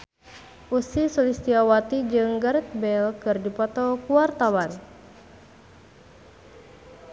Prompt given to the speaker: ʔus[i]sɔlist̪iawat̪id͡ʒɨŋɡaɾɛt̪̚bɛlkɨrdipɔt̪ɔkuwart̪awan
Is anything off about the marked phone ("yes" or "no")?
no